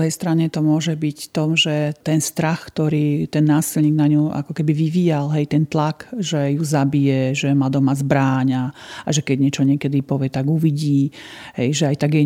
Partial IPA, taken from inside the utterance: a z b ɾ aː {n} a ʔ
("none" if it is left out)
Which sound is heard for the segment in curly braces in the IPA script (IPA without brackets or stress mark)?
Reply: ɲ